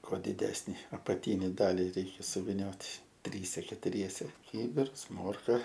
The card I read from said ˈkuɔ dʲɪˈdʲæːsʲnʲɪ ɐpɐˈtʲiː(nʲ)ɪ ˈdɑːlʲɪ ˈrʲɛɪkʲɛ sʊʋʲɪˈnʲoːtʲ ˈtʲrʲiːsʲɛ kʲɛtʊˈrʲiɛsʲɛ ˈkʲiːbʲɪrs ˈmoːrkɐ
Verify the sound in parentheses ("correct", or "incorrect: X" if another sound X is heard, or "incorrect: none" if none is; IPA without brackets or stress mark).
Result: correct